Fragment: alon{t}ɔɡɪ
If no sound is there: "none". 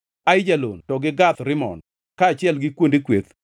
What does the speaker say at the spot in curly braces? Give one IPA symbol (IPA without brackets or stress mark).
t